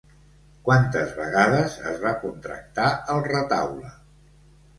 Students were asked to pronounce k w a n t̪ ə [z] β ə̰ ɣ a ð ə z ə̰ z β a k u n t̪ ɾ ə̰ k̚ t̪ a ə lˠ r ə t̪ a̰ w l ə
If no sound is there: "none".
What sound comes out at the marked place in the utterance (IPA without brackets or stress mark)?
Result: z